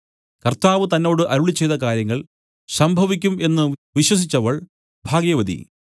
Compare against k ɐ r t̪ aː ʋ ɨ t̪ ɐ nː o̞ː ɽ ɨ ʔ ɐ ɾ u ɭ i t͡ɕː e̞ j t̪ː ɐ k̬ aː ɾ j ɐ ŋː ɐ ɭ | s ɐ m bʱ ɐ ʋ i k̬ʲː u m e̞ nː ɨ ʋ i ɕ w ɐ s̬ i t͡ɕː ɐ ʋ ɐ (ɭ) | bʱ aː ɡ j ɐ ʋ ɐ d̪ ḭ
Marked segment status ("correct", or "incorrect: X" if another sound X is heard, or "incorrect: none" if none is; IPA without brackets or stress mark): correct